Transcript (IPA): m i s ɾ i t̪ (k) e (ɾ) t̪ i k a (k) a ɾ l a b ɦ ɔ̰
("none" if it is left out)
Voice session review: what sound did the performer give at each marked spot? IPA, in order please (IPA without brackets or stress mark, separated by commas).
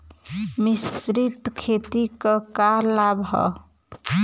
kʰ, none, k